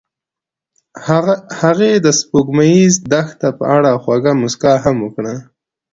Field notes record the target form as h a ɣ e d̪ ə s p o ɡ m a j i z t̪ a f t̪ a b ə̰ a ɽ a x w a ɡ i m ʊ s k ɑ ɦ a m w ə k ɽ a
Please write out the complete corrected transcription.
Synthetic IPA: h a ɣ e d̪ ə s p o ɡ m a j i z d̪ a x t̪ a p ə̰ a ɽ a x w a ɡ a m ʊ s k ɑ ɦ a m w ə k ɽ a

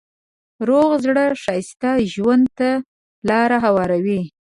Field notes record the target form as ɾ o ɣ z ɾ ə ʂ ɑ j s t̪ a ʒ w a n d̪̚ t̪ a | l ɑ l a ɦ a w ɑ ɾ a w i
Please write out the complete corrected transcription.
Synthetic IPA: ɾ o ɣ z ɽ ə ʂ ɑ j s t̪ a ʒ w a n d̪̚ t̪ a | l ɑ ɾ a ɦ a w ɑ ɾ a w i

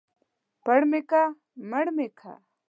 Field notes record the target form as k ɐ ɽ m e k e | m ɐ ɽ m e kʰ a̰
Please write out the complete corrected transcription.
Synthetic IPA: p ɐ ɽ m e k a | m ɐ ɽ m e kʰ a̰

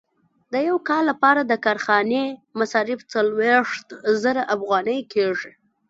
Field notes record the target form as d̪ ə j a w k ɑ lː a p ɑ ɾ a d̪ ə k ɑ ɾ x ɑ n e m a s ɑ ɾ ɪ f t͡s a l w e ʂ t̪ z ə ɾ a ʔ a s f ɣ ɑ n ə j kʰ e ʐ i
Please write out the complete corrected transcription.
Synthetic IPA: d̪ ə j a w k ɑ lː a p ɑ ɾ a d̪ ə k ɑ ɾ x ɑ n e m a s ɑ ɾ ɪ f t͡s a l w e ʂ t̪ z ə ɾ a ʔ a f ɣ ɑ n ə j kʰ e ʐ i

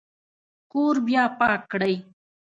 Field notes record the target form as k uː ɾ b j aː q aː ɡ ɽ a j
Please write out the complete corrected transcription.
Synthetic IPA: k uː ɾ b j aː p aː k ɽ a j

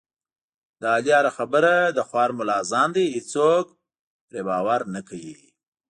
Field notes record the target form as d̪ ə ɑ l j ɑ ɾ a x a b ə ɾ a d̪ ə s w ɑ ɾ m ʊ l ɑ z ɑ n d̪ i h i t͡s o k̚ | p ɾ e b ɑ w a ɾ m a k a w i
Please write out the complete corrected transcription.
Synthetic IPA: d̪ ə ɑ l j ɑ ɾ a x a b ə ɾ a d̪ ə x w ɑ ɾ m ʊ l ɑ z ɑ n d̪ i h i t͡s o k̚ | p ɾ e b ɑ w a ɾ n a k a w i

